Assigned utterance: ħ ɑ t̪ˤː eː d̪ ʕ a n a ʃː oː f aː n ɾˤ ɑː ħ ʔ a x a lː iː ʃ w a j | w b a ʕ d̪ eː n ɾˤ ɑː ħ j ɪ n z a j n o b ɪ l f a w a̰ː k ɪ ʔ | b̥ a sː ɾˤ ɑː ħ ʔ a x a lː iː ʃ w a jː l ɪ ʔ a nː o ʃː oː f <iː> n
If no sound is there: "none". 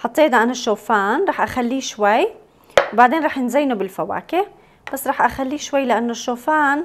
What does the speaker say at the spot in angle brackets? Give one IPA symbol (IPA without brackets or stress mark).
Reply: aː